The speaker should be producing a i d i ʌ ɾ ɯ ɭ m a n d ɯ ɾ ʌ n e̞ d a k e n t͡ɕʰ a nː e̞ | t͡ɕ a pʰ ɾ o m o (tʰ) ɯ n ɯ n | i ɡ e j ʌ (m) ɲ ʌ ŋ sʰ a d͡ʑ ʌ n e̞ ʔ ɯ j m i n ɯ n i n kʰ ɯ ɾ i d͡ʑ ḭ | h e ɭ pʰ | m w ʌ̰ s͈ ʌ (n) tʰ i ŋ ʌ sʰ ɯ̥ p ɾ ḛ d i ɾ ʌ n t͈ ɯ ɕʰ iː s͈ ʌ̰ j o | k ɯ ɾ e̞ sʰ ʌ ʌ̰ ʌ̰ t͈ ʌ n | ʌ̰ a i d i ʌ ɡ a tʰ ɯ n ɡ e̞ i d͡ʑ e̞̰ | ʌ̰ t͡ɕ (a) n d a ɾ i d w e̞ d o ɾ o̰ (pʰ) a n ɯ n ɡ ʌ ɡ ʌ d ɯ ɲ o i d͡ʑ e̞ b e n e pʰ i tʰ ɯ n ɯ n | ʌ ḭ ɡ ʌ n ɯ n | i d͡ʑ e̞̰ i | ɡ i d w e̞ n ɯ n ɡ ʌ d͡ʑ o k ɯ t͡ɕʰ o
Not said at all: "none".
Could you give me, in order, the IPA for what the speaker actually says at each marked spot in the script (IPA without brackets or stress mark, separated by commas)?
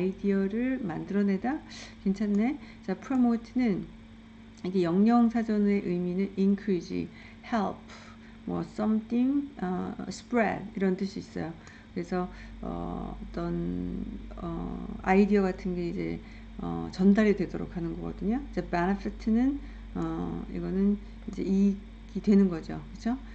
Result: tʰ, ŋ, m, ʌ, kʰ